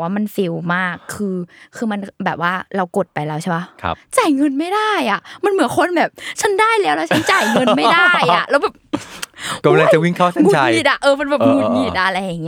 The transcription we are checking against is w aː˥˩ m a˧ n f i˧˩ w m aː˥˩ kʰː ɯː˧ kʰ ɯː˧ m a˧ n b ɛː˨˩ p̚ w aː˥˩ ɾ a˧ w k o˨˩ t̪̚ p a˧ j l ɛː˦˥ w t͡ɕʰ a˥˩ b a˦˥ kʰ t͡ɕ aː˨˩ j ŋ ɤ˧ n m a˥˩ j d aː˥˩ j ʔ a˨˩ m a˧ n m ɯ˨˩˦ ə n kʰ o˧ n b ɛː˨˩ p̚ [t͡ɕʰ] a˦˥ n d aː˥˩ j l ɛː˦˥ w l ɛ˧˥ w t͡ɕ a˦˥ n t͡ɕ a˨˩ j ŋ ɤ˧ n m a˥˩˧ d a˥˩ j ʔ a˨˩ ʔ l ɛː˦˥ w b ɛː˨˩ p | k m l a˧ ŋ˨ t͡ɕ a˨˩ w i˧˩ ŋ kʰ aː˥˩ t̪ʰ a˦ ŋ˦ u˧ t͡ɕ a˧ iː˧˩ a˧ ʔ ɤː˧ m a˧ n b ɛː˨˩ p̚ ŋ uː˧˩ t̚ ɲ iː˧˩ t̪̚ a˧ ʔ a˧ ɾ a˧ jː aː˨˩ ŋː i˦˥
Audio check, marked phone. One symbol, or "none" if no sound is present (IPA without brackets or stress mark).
t͡ɕʰ